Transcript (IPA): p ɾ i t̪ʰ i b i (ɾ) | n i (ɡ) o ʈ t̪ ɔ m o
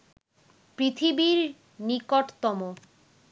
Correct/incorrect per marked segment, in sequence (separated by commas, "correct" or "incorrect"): correct, incorrect